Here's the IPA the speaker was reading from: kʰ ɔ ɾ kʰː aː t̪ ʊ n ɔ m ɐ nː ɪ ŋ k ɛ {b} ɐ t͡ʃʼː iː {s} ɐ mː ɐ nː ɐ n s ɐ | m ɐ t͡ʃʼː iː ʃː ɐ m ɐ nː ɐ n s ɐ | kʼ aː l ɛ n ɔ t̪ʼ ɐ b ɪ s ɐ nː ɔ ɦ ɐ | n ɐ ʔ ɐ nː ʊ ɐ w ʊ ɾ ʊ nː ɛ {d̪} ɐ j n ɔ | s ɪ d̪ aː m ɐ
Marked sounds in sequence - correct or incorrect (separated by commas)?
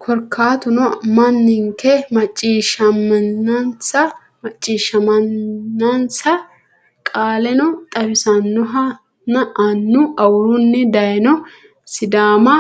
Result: incorrect, incorrect, correct